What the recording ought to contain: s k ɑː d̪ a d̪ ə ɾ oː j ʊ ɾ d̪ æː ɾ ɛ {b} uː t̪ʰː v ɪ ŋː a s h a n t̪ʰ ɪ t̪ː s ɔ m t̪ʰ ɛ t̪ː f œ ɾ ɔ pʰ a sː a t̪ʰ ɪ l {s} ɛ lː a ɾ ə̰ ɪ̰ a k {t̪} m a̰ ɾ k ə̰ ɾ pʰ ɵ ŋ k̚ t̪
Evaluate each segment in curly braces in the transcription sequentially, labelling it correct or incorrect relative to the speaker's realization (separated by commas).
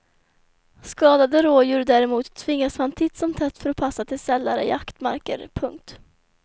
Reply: incorrect, correct, correct